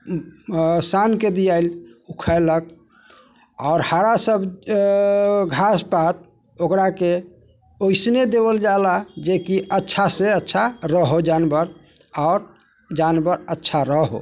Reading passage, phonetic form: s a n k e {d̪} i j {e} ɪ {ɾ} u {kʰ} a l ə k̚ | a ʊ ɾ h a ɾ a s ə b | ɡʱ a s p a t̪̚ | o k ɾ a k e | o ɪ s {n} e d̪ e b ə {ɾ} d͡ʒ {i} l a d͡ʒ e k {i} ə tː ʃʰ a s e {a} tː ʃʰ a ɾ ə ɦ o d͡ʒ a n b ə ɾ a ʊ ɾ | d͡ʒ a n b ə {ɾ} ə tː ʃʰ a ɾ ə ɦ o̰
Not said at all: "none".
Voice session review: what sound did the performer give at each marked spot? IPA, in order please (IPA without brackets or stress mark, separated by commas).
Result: d̪, a, l, kʰ, n, l, a, i, ə, ɾ